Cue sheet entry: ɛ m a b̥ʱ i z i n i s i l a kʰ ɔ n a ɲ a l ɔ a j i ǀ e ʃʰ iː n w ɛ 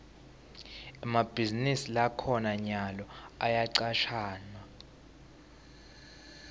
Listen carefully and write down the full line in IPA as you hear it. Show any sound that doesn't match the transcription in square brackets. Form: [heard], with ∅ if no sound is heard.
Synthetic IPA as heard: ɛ m a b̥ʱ i z i n i s i l a kʰ ɔ n a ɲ a l ɔ a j [a] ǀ [a] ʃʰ [aː] n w [a]